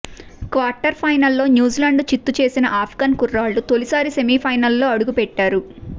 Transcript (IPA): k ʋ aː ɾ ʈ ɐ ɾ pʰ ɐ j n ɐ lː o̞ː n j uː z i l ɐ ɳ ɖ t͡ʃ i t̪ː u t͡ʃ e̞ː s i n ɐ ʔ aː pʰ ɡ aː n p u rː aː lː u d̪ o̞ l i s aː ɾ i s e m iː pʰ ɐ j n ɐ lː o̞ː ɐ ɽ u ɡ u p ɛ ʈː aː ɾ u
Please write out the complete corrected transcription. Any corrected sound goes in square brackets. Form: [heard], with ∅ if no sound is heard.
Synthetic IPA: k ʋ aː ɾ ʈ ɐ ɾ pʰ ɐ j n ɐ lː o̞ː n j uː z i l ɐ ɳ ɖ t͡ʃ i t̪ː u t͡ʃ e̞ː s i n ɐ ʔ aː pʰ ɡ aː n [k] u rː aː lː u [t̪] o̞ l i s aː ɾ i s e m iː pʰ ɐ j n ɐ lː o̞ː ɐ ɽ u ɡ u p ɛ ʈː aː ɾ u